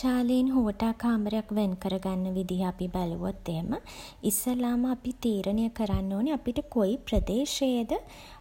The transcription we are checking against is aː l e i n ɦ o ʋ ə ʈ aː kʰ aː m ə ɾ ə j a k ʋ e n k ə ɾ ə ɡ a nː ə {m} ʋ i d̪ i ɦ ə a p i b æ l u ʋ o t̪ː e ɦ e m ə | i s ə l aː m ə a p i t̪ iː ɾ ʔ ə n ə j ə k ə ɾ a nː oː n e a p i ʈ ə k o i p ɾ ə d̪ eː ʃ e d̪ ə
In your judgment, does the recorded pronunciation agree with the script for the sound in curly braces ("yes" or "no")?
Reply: no